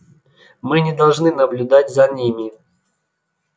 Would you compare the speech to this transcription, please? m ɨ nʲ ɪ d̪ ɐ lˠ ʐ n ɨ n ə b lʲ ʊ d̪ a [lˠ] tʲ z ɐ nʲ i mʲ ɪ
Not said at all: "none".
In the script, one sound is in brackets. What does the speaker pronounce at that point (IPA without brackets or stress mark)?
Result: none